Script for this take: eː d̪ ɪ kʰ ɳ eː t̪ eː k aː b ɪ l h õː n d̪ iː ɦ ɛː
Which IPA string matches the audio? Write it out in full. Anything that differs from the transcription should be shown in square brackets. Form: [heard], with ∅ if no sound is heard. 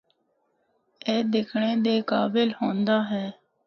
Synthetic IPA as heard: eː d̪ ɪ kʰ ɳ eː [d̪] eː k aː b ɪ l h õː n d̪ [aː] ɦ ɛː